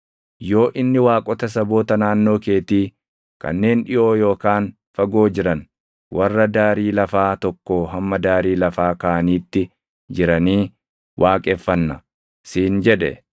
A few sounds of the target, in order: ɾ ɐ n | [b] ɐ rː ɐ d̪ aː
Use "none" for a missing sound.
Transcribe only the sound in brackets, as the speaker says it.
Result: w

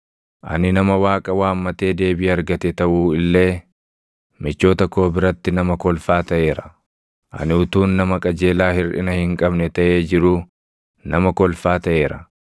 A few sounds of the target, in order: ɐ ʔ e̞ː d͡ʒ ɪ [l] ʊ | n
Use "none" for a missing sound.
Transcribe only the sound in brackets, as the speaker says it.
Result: ɾ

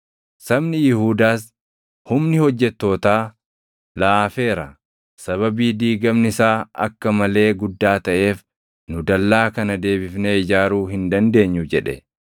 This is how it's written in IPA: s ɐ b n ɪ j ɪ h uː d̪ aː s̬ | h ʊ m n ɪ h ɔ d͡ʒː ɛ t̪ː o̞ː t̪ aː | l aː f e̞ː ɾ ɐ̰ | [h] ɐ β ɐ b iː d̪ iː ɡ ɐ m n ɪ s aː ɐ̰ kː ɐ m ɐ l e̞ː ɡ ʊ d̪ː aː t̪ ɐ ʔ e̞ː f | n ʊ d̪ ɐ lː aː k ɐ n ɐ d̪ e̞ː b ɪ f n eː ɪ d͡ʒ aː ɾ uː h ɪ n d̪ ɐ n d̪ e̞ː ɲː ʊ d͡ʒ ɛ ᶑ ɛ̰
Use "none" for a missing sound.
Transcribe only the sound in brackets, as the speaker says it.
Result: s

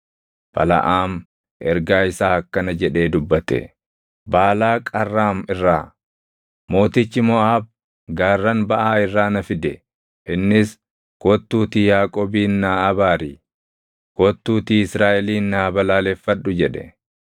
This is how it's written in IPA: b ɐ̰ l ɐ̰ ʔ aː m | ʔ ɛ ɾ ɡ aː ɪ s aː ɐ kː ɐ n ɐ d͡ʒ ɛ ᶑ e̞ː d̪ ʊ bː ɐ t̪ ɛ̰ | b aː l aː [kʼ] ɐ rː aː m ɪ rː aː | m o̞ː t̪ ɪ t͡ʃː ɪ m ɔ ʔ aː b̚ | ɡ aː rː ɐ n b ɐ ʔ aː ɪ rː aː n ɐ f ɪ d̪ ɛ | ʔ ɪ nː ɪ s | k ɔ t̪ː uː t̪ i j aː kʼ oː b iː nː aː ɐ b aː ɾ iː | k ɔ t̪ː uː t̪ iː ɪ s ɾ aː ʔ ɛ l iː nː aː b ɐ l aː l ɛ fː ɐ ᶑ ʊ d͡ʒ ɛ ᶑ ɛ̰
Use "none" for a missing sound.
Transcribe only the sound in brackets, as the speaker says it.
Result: kʼ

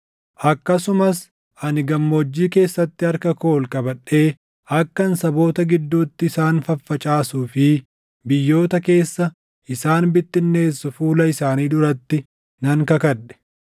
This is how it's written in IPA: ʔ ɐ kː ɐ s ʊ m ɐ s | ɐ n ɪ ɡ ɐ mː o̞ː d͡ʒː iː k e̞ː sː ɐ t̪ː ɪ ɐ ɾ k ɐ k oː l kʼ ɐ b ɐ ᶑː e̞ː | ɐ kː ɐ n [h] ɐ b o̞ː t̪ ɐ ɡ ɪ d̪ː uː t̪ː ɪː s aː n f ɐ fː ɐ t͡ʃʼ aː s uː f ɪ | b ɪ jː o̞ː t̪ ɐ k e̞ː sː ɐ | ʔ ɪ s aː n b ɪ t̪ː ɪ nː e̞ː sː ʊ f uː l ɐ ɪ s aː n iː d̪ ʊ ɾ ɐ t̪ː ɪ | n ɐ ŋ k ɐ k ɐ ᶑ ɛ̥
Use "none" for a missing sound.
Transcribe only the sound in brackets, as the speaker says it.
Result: s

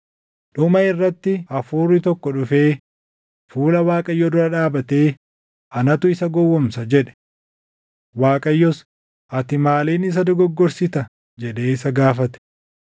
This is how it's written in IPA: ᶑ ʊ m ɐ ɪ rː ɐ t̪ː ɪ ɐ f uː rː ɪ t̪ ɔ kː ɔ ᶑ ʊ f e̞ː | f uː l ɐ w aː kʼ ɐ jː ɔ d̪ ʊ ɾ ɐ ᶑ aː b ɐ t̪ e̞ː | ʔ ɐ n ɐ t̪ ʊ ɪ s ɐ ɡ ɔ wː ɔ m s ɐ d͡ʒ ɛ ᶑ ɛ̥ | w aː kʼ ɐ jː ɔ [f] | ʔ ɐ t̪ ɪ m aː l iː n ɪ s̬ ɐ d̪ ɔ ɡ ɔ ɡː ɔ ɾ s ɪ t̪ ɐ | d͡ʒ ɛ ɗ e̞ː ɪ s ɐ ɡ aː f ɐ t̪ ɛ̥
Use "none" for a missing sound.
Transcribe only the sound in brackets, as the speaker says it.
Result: s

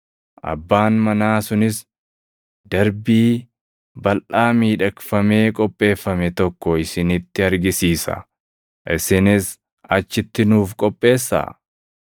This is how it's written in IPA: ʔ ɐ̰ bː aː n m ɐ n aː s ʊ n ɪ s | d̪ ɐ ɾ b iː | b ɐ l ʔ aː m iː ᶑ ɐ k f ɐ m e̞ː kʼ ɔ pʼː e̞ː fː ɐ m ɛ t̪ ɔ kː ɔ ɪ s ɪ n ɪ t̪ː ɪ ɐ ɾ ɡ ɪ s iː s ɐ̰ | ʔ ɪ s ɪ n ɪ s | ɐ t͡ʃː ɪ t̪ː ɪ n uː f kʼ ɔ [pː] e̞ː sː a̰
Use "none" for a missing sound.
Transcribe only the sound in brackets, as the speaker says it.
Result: pʼː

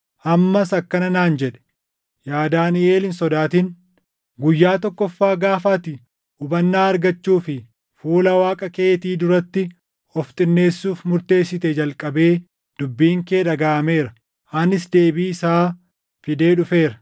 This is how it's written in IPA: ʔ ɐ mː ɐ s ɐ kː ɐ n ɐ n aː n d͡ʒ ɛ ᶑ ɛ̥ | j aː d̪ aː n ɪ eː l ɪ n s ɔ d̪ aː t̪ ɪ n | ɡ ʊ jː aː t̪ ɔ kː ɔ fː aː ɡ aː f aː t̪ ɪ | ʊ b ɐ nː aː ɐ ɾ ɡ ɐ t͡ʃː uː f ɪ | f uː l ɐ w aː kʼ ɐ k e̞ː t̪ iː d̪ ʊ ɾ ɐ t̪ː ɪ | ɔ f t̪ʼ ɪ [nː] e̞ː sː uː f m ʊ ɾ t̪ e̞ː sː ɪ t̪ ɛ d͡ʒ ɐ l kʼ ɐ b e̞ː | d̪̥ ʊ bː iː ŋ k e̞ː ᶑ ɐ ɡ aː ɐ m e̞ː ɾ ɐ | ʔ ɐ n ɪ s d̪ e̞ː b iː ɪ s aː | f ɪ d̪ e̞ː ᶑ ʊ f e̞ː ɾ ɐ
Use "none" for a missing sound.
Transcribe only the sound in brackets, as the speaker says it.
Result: nː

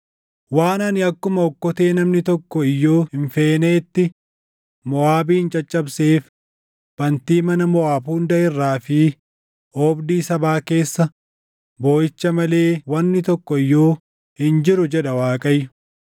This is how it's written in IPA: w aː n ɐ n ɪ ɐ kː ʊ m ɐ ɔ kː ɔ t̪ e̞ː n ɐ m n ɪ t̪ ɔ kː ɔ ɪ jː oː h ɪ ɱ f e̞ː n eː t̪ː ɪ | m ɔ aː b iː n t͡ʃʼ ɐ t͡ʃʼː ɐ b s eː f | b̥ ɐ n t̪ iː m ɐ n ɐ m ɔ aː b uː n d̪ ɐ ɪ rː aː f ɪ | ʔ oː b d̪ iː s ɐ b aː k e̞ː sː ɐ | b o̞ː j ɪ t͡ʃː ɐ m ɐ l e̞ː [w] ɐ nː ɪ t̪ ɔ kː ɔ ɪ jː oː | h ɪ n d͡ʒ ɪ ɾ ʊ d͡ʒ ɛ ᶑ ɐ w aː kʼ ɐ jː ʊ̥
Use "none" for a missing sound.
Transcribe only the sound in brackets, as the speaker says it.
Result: w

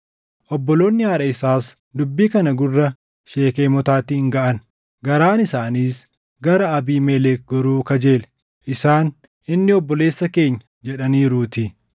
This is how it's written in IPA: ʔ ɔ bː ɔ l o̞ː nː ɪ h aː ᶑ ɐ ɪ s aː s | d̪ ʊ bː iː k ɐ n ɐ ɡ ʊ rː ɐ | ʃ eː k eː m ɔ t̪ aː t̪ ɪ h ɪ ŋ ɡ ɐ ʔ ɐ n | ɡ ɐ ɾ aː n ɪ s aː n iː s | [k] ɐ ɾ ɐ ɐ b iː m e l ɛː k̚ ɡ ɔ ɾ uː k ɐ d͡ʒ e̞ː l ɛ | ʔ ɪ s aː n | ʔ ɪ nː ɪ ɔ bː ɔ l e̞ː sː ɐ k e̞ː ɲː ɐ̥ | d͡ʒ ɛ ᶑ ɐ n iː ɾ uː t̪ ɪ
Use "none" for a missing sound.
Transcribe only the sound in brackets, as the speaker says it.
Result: ɡ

